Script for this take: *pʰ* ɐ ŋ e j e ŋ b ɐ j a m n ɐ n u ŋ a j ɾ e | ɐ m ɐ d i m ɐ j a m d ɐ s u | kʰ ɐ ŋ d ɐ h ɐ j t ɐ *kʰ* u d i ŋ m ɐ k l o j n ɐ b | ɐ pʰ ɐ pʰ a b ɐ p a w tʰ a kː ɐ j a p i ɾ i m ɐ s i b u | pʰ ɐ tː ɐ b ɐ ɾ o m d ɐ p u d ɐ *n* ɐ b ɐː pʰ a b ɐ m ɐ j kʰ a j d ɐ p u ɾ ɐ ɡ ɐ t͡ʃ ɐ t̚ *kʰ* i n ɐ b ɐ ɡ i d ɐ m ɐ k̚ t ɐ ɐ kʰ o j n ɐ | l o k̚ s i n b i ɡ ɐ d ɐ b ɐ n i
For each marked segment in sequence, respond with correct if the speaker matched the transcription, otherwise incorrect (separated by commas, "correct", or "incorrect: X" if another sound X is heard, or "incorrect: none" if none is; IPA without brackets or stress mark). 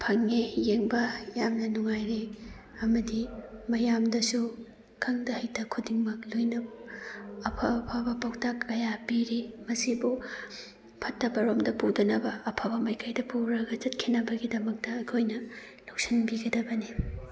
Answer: correct, correct, correct, correct